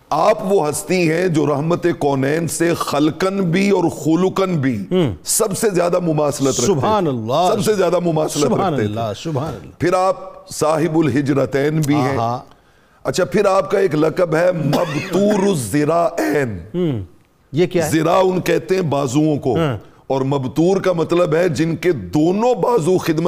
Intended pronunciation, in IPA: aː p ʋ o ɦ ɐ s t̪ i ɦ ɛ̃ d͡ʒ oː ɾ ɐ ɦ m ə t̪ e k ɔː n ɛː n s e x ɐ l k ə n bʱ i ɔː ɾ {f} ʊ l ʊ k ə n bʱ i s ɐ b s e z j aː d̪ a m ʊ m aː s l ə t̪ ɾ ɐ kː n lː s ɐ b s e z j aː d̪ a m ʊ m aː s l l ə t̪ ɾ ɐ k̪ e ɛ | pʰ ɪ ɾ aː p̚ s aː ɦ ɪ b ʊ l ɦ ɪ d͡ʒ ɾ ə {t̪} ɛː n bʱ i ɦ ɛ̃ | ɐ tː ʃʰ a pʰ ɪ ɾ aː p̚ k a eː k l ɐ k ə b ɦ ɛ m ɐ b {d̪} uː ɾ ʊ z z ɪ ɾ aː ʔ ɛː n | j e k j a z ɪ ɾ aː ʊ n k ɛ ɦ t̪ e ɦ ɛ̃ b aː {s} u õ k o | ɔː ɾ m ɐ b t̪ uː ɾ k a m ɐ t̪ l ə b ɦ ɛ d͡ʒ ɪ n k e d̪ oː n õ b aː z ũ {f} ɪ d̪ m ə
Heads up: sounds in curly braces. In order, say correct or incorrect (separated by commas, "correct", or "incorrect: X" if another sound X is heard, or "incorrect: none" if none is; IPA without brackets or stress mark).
incorrect: x, correct, incorrect: t̪, incorrect: z, incorrect: x